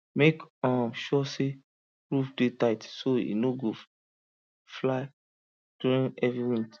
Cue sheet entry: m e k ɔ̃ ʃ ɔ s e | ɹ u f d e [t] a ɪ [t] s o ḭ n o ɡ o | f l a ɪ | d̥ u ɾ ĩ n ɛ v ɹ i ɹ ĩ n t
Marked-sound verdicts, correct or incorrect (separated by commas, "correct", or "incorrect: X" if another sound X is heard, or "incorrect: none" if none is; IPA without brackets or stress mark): correct, correct